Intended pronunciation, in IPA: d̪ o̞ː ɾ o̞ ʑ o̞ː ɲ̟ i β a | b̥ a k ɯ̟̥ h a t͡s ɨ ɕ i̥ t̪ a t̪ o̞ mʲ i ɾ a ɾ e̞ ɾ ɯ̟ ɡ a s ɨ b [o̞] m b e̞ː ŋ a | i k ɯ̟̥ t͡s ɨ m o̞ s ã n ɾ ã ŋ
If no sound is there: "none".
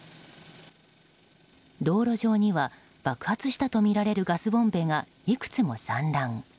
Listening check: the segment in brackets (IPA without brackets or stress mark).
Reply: õ̞